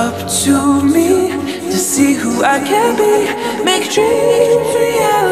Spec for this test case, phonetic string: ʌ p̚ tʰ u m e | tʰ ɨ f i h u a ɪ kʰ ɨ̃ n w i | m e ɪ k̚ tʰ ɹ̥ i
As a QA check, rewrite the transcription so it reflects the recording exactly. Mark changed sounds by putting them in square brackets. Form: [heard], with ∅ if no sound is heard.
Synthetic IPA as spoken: ʌ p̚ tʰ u m [i] | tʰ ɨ [s] i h u a ɪ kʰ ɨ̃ n [b] i | m e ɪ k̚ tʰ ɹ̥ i